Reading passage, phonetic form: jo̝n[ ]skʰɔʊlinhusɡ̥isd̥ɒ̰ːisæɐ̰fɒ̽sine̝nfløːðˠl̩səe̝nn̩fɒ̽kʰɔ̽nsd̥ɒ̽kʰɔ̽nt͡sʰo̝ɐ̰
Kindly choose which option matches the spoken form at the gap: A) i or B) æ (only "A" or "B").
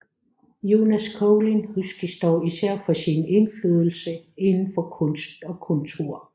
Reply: B